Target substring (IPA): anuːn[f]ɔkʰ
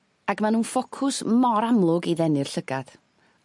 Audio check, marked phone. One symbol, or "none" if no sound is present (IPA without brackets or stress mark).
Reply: f